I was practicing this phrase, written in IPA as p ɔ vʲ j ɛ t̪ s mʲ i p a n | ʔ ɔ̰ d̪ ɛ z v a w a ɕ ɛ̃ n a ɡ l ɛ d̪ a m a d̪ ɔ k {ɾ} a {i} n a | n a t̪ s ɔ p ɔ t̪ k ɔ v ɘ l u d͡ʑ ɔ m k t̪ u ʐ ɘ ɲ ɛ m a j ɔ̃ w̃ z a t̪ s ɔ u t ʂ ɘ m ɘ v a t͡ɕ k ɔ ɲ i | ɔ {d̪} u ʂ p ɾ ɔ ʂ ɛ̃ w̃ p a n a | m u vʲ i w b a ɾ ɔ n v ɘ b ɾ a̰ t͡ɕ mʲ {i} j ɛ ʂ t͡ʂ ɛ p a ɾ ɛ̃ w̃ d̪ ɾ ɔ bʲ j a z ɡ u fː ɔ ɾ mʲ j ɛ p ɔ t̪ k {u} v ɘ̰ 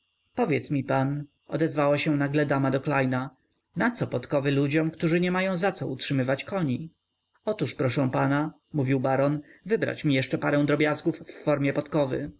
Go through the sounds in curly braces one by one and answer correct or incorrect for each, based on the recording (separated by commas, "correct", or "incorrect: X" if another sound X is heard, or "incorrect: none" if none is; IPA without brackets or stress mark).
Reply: incorrect: l, incorrect: j, incorrect: t̪, correct, incorrect: ɔ